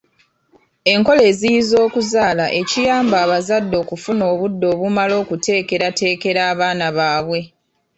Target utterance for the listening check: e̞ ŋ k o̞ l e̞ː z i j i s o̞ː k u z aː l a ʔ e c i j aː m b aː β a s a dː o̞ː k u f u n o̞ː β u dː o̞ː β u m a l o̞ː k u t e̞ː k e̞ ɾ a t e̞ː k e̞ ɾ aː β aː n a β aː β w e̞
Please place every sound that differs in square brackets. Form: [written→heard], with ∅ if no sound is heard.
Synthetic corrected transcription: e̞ ŋ k o̞ l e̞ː z i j i [s→z] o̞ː k u z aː l a ʔ e c i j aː m b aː β a [s→z] a dː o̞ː k u f u n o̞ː β u dː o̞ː β u m a l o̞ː k u t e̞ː k e̞ ɾ a t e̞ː k e̞ ɾ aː β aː n a β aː β w e̞